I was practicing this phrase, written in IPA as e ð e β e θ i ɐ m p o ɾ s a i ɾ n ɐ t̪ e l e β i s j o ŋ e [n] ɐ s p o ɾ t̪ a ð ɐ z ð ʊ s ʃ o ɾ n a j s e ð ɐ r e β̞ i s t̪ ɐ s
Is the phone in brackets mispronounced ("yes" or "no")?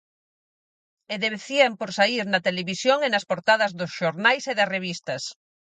no